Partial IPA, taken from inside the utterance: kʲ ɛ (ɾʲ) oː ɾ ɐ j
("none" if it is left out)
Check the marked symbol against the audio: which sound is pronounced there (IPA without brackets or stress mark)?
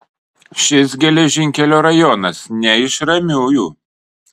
lʲ